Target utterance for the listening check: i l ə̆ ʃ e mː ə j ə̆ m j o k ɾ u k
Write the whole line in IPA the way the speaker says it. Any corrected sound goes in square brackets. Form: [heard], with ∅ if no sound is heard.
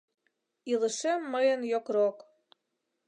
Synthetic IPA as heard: i l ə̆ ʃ e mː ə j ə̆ [n] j o k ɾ [o] k